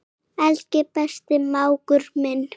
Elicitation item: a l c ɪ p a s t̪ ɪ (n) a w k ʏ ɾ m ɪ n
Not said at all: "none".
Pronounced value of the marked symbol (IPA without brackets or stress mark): m